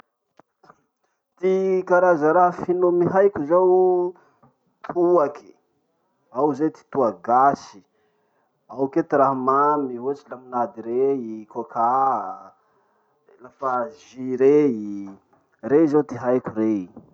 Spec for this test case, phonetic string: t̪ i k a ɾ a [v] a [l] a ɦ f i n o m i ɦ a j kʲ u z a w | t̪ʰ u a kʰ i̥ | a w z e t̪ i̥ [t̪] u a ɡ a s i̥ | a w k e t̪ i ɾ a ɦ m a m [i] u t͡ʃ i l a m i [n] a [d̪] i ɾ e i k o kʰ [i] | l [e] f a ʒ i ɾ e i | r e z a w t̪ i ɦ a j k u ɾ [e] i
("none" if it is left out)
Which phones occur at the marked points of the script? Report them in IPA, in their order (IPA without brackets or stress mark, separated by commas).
z, ɾ, t̪, i, n, d̪, a, a, e